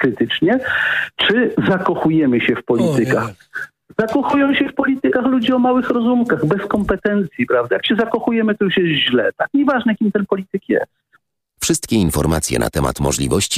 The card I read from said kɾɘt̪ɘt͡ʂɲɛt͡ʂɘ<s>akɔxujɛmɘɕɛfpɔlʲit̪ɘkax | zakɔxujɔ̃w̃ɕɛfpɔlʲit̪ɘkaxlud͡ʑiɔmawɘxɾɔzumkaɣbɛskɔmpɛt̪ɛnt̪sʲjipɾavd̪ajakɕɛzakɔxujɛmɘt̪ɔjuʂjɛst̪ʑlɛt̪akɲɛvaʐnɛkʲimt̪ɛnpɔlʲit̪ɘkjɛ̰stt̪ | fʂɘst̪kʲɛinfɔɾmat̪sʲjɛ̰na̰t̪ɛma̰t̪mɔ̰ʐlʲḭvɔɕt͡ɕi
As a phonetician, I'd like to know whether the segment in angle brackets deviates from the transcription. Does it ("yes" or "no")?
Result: yes